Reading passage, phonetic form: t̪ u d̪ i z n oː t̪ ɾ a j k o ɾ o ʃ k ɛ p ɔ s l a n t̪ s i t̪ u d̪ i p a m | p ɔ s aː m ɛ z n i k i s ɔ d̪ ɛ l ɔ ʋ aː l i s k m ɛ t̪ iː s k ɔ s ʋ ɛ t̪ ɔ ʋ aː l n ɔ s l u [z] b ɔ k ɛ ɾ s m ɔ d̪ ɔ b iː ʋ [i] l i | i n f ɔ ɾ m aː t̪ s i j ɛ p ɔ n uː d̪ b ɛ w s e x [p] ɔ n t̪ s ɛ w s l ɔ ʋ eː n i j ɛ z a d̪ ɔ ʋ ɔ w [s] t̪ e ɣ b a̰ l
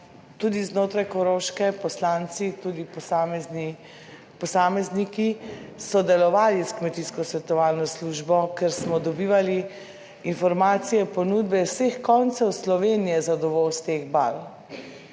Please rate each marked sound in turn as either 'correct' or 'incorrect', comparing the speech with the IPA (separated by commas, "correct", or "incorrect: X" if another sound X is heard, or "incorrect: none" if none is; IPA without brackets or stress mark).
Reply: incorrect: ʒ, incorrect: a, incorrect: k, correct